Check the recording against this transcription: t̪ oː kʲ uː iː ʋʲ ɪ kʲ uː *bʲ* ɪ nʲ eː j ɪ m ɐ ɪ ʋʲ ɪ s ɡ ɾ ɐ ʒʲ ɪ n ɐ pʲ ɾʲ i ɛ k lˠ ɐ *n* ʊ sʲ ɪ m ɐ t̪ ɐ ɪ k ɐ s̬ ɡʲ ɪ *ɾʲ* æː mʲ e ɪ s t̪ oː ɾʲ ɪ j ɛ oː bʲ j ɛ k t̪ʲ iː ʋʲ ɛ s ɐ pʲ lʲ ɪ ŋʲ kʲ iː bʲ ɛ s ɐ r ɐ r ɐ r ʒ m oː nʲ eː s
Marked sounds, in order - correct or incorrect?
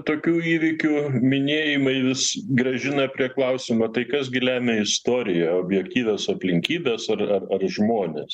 incorrect: mʲ, incorrect: none, incorrect: lʲ

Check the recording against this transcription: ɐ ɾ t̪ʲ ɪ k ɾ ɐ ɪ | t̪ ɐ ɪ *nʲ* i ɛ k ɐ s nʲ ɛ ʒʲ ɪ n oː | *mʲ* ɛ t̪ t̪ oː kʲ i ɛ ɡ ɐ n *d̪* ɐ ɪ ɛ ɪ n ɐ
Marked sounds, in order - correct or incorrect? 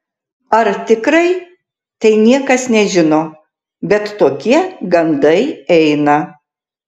correct, incorrect: bʲ, correct

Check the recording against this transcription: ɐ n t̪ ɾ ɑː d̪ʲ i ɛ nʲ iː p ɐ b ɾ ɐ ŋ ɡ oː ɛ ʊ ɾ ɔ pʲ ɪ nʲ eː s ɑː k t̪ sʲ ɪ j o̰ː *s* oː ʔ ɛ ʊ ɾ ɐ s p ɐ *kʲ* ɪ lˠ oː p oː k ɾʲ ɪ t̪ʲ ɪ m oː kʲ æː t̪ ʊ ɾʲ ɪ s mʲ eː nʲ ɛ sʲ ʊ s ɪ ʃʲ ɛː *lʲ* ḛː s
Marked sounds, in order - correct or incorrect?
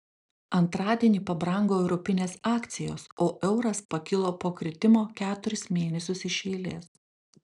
correct, correct, correct

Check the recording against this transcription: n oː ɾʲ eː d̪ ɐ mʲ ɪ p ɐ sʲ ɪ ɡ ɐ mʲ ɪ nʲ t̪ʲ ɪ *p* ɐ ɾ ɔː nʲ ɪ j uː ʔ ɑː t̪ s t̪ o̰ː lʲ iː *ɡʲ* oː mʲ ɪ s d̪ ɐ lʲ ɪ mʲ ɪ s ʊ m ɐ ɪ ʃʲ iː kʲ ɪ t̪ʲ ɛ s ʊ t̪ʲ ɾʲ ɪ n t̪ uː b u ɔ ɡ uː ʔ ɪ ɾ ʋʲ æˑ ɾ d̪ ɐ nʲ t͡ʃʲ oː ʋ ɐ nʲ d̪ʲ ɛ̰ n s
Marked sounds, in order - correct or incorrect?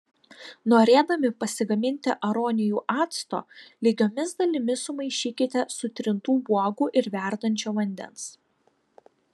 incorrect: ʔ, correct

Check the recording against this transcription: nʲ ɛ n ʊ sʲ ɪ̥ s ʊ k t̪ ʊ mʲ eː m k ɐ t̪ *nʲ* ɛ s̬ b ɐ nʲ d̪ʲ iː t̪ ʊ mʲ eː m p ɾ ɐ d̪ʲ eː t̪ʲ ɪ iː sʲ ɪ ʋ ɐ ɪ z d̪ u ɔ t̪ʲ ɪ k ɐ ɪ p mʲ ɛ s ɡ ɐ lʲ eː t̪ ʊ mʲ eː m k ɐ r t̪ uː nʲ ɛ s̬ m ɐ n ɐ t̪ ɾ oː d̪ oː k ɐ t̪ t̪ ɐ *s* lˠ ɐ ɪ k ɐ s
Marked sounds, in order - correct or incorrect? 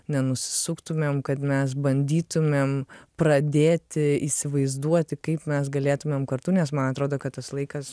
incorrect: mʲ, correct

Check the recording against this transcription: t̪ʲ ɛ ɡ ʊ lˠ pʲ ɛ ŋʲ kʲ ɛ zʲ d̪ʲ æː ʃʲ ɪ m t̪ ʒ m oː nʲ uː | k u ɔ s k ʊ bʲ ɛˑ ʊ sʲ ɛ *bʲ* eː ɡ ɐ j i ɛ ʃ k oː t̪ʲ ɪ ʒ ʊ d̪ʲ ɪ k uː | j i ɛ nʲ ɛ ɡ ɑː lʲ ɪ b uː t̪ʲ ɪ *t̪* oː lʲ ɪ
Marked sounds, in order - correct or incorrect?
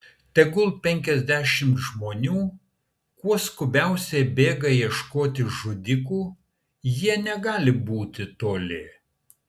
correct, correct

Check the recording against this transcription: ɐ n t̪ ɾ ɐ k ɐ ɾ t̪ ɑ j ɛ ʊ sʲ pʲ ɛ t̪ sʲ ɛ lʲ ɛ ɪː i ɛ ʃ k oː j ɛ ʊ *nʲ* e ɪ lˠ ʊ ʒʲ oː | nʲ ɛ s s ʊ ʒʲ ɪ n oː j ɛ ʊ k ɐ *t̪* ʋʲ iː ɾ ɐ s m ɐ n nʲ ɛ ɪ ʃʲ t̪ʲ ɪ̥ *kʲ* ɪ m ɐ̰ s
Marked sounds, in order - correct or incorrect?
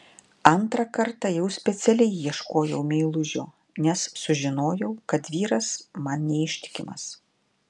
incorrect: mʲ, correct, correct

